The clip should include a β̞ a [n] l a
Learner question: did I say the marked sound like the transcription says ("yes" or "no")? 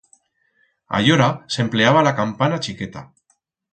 no